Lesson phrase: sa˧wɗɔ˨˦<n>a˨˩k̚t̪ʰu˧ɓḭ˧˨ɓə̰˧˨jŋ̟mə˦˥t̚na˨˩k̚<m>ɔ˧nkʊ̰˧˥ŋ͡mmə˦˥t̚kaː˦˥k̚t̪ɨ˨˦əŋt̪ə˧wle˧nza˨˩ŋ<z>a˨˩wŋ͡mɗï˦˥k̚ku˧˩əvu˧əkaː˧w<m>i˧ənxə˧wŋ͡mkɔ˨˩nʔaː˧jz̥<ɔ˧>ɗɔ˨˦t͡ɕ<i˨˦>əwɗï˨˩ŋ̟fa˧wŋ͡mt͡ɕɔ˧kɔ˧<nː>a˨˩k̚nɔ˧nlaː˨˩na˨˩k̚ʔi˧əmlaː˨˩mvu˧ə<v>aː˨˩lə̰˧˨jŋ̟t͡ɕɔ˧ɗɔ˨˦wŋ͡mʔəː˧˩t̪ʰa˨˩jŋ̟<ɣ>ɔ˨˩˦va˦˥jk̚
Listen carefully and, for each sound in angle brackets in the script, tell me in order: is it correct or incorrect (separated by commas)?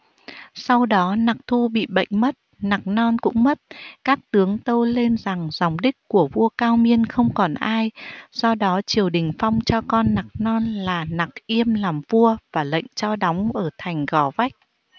correct, incorrect, correct, correct, correct, incorrect, correct, correct, correct